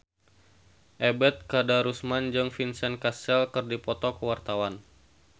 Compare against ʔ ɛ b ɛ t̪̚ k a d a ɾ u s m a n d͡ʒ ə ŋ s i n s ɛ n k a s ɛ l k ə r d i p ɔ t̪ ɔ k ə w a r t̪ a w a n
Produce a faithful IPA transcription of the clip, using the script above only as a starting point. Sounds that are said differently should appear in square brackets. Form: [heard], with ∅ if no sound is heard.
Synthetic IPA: ʔ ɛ b ɛ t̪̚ k a d a ɾ u s m a n d͡ʒ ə ŋ [f] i n s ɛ n k a s ɛ l k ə r d i p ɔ t̪ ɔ k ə w a r t̪ a w a n